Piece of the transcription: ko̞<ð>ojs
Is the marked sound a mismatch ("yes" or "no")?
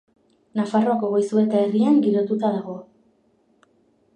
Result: yes